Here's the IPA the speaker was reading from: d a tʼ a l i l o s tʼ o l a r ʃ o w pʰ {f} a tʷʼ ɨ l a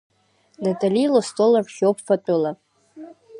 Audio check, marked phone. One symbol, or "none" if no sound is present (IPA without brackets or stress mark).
f